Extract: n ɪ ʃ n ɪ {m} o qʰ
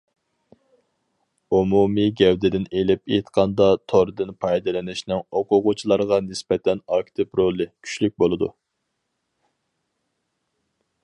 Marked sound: incorrect: ŋ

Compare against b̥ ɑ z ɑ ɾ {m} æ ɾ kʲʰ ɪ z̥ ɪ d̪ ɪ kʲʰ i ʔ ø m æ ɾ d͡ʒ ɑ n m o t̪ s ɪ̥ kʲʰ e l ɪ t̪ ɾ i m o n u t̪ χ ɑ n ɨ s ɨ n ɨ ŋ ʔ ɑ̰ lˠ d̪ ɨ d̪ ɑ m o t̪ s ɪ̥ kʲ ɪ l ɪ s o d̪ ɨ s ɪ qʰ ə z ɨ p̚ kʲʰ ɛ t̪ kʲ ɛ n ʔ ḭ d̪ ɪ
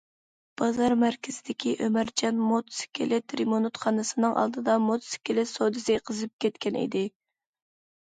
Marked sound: correct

